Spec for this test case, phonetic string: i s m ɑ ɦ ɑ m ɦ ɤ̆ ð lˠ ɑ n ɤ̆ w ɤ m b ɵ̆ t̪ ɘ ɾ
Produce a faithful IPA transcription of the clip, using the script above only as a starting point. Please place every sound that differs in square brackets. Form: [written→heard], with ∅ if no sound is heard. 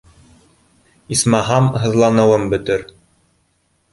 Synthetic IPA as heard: i s m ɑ ɦ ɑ m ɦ ɤ̆ ð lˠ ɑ n ɤ̆ w ɤ m b ɵ̆ t̪ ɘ ɾ